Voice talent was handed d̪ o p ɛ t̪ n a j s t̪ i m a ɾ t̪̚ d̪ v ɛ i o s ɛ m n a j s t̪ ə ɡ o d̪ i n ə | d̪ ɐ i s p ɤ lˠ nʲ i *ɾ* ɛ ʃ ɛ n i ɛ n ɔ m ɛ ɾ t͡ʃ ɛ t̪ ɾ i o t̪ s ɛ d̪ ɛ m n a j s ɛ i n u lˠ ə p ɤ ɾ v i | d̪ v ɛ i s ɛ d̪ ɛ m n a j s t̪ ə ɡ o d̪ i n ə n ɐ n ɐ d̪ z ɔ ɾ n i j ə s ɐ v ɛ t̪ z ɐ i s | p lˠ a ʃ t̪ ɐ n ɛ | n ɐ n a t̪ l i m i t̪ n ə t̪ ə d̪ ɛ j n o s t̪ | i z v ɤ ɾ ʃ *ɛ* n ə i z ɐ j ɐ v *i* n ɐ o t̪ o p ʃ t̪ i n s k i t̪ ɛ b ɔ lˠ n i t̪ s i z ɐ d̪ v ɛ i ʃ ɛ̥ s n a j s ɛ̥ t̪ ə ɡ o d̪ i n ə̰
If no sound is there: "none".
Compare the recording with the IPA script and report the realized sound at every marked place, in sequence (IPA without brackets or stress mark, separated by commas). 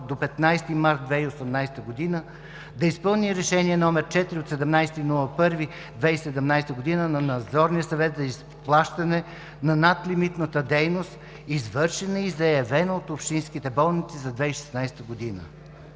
ɾ, ɛ, ɛ